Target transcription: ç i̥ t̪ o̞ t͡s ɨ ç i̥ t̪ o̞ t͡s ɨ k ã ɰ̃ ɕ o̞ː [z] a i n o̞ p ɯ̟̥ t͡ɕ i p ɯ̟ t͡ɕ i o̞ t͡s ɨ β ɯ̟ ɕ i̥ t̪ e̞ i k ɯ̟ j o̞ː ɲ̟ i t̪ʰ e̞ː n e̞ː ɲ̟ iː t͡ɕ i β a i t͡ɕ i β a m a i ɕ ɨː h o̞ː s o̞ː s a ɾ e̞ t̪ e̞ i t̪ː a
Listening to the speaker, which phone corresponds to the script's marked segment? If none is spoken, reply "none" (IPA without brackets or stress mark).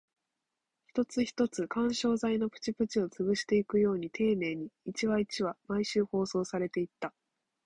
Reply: z